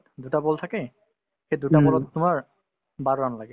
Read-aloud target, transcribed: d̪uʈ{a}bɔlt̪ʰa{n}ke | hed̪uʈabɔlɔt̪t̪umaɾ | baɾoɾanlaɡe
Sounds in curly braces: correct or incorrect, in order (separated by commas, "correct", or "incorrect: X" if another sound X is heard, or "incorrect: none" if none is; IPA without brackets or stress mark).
correct, incorrect: none